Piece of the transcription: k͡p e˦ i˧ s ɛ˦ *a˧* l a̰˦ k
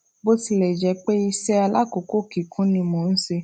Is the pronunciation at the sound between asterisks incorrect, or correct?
correct